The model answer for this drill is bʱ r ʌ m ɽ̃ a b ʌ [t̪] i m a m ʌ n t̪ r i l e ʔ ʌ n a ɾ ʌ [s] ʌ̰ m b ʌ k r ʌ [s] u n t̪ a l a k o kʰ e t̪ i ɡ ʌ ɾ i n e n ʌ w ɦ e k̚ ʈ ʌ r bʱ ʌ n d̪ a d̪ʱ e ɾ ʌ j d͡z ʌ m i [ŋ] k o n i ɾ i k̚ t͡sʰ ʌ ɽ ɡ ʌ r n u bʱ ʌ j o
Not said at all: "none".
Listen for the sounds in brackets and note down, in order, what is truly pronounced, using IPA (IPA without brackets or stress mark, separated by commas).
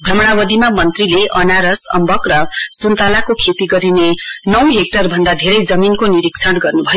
d̪, s, s, n